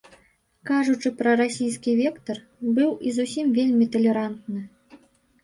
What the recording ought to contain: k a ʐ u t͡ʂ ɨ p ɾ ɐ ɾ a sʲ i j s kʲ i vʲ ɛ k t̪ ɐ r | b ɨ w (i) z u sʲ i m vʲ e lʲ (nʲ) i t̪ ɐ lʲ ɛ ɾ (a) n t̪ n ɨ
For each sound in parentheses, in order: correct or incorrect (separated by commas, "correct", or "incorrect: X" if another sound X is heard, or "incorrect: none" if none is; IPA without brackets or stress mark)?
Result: correct, incorrect: mʲ, correct